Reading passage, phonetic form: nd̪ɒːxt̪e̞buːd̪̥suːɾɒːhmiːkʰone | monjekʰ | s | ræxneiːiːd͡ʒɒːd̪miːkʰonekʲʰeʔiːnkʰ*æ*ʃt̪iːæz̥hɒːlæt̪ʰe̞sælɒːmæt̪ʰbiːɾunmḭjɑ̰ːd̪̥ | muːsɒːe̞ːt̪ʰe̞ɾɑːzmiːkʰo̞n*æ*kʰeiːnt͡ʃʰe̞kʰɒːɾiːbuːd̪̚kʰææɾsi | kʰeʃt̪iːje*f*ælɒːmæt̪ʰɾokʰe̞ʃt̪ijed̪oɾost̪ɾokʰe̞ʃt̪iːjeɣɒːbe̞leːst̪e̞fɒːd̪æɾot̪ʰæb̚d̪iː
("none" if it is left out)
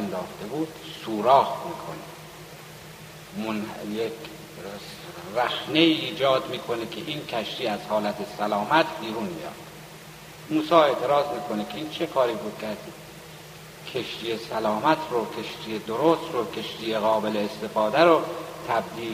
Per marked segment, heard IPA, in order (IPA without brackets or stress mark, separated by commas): æ, e, s